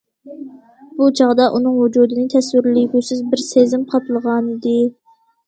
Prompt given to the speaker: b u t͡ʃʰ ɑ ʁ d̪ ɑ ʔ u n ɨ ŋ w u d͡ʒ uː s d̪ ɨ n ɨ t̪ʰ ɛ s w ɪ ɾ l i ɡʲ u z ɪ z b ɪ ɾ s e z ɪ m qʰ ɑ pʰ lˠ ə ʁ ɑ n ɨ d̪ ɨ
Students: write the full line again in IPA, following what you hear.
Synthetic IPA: b u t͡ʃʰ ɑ ʁ d̪ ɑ ʔ u n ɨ ŋ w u d͡ʒ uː d̪ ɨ n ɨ t̪ʰ ɛ s w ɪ ɾ l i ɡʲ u s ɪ z b ɪ ɾ s e z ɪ m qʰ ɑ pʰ lˠ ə ʁ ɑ n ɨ d̪ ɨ